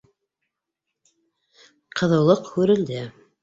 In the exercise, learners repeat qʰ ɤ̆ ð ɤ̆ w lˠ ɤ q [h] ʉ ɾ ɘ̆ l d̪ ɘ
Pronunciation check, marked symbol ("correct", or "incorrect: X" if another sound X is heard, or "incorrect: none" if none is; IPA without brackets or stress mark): correct